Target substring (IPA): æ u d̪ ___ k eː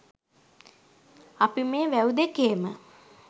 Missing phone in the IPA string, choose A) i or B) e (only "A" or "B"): B